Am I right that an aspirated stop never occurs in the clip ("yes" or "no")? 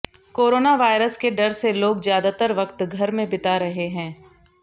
yes